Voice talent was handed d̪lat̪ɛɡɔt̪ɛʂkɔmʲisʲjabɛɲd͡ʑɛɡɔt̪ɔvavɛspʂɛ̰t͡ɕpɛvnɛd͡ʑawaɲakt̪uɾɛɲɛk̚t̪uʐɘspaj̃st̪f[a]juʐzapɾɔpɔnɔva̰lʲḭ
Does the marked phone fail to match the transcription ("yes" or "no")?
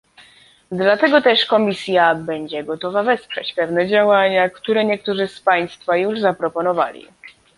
no